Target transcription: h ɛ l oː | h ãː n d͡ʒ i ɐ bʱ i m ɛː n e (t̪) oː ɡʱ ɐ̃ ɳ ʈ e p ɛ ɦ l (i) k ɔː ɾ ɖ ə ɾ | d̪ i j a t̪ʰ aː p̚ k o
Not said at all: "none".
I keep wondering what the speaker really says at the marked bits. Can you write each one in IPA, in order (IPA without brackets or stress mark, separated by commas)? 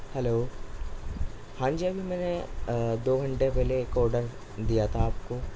d̪, e